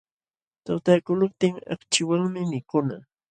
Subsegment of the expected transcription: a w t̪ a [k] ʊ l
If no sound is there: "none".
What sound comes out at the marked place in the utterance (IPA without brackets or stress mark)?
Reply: k